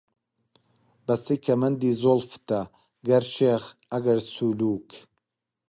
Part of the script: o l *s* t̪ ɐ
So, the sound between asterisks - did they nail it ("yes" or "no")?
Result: no